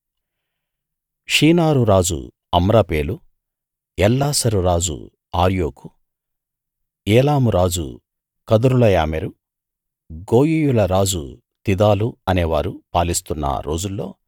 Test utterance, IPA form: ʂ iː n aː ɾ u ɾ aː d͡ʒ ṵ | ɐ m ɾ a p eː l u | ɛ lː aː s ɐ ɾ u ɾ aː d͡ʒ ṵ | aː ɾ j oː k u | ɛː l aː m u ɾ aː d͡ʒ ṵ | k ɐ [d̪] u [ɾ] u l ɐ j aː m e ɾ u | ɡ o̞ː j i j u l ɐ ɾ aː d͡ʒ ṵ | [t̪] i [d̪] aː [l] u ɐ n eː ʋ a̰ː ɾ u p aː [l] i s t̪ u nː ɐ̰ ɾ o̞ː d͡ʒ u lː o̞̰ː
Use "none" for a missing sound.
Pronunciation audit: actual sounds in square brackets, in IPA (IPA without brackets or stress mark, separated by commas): d̪, ɾ, t̪, d̪, l, l